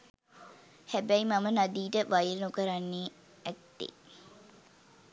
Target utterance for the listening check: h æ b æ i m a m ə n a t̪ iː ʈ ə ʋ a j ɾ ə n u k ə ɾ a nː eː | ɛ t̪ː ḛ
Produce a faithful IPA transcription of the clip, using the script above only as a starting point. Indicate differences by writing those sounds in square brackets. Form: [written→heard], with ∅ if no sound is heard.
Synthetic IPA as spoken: h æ b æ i m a m ə n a [t̪→d̪] iː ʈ ə ʋ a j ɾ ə n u k ə ɾ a nː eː | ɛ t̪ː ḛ